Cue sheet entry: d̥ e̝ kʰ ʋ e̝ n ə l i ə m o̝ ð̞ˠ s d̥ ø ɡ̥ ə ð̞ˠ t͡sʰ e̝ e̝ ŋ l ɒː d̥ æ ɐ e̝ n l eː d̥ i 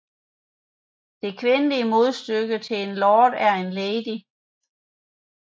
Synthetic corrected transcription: d̥ e̝ kʰ ʋ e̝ n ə l i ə m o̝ ð̞ˠ s d̥ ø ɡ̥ ə t͡sʰ e̝ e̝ n l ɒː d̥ æ ɐ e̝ n l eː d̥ i